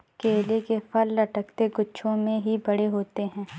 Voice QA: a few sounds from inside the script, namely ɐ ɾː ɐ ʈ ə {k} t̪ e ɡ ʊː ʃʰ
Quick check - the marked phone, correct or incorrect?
correct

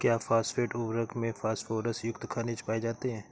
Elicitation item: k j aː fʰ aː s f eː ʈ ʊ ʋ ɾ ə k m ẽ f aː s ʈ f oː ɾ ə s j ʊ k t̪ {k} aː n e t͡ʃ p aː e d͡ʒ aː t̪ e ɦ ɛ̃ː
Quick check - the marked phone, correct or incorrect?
incorrect: kʰ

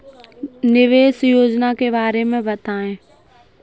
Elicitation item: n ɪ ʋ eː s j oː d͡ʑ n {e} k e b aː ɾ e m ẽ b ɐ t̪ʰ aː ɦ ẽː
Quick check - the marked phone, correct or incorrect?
incorrect: a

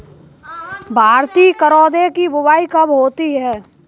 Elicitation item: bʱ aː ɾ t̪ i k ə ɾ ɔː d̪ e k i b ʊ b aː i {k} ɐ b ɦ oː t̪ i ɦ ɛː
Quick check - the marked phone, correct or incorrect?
correct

